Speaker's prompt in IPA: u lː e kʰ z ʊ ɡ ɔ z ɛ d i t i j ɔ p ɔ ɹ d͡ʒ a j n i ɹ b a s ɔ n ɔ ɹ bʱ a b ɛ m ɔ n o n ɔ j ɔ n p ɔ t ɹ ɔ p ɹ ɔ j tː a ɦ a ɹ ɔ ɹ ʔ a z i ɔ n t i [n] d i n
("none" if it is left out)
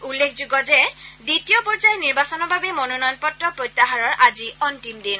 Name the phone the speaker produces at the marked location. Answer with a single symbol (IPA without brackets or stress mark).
m